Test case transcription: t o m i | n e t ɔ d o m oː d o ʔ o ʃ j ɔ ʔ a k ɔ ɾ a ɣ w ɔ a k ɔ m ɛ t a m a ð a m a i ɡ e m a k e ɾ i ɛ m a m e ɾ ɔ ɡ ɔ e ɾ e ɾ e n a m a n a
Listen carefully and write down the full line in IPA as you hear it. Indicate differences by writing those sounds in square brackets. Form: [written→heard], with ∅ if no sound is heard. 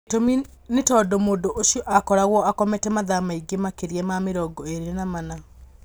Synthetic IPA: t o m i | n e t ɔ d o m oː d o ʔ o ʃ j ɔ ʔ a k ɔ ɾ a ɣ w ɔ a k ɔ m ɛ t [a→ɛ] m a ð a m a i ɡ e m a k e ɾ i ɛ m a m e ɾ ɔ ɡ ɔ e ɾ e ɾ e n a m a n a